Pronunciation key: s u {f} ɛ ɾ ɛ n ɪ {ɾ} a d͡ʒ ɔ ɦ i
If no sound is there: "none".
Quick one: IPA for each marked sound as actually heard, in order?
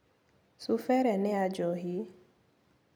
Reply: f, none

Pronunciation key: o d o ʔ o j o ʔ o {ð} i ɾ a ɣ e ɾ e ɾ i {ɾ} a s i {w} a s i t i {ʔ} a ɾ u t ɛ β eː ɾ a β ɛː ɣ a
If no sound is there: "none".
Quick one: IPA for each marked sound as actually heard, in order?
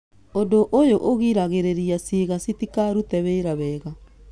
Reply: ɣ, none, ɣ, k

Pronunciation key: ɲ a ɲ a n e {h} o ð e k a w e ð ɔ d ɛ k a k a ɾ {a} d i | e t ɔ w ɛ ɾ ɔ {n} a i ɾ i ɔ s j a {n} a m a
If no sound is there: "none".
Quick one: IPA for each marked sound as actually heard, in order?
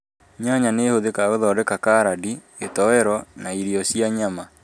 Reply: h, a, n, ɲ

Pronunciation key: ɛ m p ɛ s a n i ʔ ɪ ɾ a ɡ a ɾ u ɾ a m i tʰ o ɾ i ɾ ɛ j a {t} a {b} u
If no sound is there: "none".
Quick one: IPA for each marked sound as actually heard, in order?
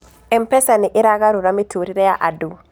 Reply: ʔ, d

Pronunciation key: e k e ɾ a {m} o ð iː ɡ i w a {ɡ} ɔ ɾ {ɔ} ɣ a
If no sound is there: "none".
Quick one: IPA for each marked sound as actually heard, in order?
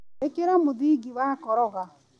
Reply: m, k, ɔ

